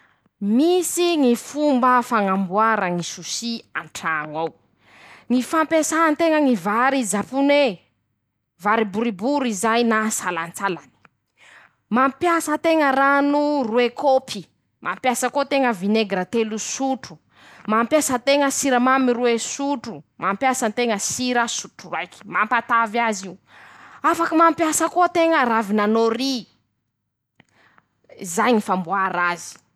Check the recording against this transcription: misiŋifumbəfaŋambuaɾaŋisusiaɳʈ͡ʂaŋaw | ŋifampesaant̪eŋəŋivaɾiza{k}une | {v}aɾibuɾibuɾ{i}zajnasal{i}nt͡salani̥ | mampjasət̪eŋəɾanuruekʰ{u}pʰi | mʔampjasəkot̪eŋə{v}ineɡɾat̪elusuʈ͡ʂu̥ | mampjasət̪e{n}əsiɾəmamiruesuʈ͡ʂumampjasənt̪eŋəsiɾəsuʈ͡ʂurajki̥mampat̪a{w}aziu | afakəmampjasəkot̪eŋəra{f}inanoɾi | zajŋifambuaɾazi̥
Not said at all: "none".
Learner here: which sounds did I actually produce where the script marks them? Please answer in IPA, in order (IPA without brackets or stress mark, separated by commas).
p, v, i, a, o, v, ŋ, v, v